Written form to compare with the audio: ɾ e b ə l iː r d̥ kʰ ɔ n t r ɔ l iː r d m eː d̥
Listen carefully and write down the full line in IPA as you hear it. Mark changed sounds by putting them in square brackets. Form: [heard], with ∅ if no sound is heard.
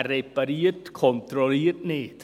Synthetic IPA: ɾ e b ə [ɾ] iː r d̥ kʰ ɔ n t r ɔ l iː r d [n] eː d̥